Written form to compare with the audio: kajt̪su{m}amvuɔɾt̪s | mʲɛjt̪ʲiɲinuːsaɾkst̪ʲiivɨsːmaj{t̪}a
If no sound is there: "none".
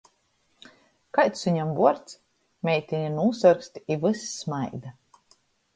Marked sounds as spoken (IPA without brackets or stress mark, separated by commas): ɲ, d̪